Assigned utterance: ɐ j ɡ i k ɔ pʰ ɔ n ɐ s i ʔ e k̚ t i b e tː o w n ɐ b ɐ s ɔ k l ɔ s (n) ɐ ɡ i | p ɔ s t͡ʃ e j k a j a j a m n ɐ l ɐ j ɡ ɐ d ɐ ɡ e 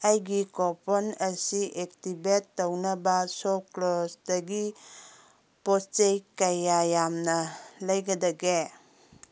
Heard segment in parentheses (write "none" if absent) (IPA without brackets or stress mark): d